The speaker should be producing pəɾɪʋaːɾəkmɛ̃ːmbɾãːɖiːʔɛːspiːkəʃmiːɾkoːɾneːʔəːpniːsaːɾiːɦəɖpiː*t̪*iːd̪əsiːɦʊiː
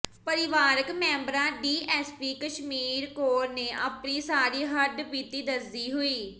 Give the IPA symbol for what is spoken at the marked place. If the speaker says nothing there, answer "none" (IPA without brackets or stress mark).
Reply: t̪